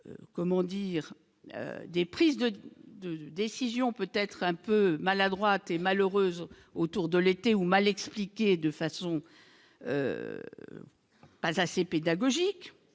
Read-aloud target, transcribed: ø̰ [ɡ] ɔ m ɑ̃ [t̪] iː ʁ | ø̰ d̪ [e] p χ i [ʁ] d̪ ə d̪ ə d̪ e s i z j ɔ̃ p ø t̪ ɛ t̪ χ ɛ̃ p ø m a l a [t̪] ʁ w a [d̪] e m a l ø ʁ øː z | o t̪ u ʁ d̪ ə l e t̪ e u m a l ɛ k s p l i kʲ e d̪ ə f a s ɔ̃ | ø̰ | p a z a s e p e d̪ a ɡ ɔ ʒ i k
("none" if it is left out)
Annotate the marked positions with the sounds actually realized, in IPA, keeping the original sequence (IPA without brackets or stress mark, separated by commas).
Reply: k, d̪, e, z, d̪, t̪